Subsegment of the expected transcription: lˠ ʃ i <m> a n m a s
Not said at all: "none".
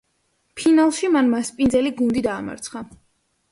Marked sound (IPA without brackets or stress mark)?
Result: m